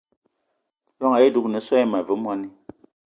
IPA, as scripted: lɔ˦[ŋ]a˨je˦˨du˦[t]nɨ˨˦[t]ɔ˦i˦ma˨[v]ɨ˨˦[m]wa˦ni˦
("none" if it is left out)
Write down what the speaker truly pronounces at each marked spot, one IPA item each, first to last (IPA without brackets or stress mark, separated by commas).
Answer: ŋ, k, s, v, m